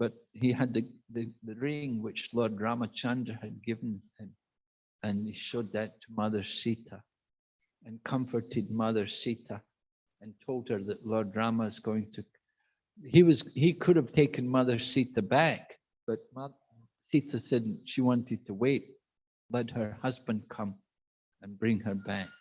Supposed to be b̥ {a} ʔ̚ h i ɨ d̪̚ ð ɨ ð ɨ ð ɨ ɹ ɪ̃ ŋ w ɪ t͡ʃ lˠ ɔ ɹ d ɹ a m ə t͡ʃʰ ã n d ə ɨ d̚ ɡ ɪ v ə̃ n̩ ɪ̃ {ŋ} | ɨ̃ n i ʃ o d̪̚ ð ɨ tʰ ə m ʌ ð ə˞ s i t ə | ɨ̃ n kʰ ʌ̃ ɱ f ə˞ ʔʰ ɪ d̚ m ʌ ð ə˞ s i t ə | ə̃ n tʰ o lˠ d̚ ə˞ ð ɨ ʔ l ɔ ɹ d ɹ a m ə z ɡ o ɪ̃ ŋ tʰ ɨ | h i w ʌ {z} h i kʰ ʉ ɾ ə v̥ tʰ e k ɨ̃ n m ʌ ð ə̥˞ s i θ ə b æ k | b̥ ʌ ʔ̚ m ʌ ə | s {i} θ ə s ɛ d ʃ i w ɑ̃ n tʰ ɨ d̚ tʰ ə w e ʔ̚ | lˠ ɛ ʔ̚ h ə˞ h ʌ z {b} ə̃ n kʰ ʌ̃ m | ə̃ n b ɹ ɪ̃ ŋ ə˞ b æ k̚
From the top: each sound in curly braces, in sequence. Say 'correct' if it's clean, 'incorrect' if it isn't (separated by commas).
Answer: incorrect, incorrect, correct, correct, correct